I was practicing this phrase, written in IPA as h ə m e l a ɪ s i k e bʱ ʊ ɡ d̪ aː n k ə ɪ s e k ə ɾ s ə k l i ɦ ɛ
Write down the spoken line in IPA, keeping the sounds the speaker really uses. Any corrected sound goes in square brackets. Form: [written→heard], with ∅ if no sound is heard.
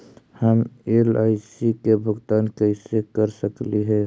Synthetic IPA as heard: h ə m e l a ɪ s i k e bʱ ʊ ɡ [d̪→t̪] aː n k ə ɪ s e k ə ɾ s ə k l i ɦ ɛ